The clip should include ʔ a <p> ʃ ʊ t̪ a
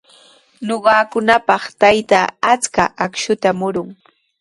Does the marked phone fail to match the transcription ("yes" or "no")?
yes